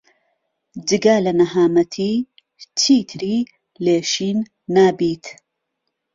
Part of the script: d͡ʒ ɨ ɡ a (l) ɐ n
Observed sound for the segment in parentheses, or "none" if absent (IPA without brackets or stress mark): l